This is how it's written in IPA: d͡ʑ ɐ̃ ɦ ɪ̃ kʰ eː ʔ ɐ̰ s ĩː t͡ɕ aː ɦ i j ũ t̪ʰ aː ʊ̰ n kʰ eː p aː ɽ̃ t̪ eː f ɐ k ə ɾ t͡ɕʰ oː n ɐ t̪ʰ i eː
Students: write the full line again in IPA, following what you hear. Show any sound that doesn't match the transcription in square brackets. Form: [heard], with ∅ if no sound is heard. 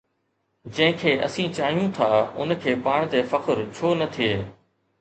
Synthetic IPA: d͡ʑ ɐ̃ ɦ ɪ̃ kʰ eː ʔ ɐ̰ s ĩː t͡ɕ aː ɦ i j ũ t̪ʰ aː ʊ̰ n kʰ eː p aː ɽ̃ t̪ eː f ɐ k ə ɾ t͡ɕʰ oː n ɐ t̪ʰ i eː